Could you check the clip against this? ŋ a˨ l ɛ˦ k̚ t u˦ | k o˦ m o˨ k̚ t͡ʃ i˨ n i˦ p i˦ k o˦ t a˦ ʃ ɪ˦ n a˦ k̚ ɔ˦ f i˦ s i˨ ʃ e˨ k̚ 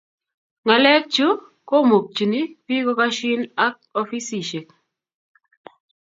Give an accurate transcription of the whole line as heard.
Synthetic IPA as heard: ŋ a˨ l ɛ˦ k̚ t͡ʃ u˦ | k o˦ m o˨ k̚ t͡ʃ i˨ n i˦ p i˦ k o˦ k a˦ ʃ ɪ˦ n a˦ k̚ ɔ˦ f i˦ s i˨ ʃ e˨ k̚